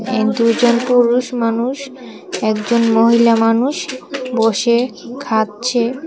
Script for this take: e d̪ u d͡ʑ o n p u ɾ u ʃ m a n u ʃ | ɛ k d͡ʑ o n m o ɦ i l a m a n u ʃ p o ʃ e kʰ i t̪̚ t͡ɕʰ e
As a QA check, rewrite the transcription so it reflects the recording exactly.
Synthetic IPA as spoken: e d̪ u d͡ʑ o n p u ɾ u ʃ m a n u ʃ | ɛ k d͡ʑ o n m o ɦ i l a m a n u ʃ b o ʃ e kʰ a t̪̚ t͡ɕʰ e

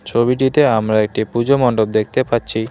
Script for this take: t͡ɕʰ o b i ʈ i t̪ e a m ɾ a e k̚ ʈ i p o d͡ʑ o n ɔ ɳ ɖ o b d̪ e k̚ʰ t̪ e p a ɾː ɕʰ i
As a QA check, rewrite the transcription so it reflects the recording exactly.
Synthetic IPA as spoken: t͡ɕʰ o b i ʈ i t̪ e a m ɾ a e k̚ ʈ i p u d͡ʑ o m ɔ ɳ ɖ o b d̪ e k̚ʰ t̪ e p a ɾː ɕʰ i

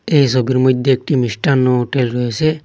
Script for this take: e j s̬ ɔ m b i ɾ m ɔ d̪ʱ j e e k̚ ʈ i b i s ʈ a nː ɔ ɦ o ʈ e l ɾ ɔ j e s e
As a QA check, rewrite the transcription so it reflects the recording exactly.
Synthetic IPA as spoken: e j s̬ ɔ b i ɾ m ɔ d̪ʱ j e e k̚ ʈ i m i s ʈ a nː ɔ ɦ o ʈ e l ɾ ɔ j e s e

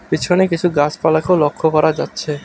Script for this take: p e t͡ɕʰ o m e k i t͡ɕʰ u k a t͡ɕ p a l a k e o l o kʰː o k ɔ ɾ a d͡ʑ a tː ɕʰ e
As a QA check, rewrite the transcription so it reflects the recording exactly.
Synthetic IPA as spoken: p i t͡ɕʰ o n e k i t͡ɕʰ u ɡ a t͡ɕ p a l a k e o l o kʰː o k ɔ ɾ a d͡ʑ a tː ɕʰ e

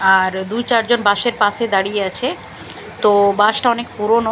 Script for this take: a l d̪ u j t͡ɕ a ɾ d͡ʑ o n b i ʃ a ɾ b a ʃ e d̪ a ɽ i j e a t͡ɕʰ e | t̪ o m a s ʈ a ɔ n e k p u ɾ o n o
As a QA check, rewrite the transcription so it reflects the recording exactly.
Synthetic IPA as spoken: a ɾ d̪ u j t͡ɕ a ɾ d͡ʑ o n b a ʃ e ɾ p a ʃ e d̪ a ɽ i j e a t͡ɕʰ e | t̪ o b a ʃ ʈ a ɔ n e k p u ɾ o n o

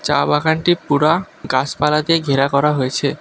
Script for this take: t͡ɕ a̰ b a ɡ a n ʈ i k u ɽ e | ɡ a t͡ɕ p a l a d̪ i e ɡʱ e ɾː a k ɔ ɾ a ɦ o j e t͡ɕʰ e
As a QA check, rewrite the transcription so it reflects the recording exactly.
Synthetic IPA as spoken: t͡ɕ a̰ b a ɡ a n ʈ i p u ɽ a | ɡ a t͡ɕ p a l a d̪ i e ɡʱ e ɾ a k ɔ ɾ a ɦ o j e t͡ɕʰ e

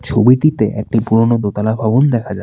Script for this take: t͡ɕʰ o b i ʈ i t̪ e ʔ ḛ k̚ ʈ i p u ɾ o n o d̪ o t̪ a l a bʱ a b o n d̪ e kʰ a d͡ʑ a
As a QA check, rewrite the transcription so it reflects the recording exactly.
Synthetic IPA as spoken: t͡ɕʰ o b i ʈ i t̪ e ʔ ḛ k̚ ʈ i p u ɾ o n o d̪ o t̪ a l a bʱ a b o n d̪ ɛ kʰ a d͡ʑ a

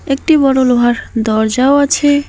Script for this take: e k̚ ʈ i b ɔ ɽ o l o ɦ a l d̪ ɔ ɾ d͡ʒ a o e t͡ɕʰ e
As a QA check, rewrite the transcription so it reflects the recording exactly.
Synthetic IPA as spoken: e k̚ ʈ i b ɔ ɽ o l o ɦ a ɾ d̪ ɔ ɾ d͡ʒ a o a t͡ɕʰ e

